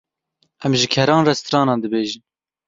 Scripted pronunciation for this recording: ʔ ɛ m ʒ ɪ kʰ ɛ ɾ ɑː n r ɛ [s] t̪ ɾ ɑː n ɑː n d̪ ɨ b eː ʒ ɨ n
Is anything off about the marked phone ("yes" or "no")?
no